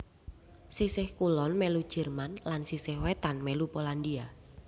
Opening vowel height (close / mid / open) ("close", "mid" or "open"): close